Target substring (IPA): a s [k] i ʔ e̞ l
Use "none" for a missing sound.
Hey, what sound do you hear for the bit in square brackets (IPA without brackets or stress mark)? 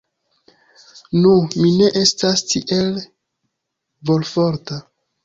t